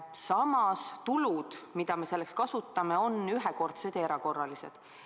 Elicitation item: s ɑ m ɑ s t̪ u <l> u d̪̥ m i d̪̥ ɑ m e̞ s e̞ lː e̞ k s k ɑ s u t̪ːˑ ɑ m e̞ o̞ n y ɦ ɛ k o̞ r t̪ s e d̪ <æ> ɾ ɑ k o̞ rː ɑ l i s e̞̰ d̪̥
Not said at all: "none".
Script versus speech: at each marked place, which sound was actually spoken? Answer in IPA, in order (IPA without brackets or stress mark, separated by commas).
l, e